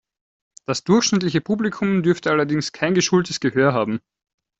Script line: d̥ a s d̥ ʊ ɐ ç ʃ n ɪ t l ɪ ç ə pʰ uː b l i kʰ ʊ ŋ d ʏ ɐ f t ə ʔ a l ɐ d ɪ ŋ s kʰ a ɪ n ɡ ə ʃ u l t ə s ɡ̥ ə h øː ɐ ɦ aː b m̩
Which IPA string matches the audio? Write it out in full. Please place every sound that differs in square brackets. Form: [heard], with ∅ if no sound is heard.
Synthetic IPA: d̥ a s d̥ ʊ ɐ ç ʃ n ɪ t l ɪ ç ə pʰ uː b l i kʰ ʊ [m] d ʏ ɐ f t ə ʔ a l ɐ d ɪ ŋ s kʰ a ɪ n ɡ ə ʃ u l t ə s ɡ̥ ə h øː ɐ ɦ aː b m̩